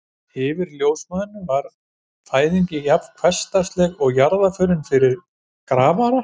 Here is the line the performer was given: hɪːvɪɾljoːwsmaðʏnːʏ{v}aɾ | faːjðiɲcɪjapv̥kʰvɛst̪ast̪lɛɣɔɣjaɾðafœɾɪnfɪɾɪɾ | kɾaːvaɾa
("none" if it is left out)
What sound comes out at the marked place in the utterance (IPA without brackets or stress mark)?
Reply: v